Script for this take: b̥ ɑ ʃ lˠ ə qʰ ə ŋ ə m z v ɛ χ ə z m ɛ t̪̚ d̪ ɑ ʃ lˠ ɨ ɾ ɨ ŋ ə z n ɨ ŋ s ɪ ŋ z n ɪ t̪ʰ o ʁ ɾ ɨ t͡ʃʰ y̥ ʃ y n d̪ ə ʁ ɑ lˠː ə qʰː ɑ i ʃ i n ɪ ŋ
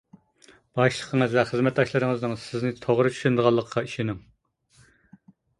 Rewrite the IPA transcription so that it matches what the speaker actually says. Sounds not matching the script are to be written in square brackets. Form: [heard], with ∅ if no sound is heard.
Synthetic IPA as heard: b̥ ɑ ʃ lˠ ə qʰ ə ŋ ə [∅] z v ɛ χ ə z m ɛ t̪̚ d̪ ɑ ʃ lˠ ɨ ɾ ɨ ŋ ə z n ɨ ŋ s ɪ [∅] z n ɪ t̪ʰ o ʁ ɾ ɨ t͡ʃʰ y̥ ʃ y n d̪ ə ʁ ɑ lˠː ə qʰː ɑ i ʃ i n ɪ ŋ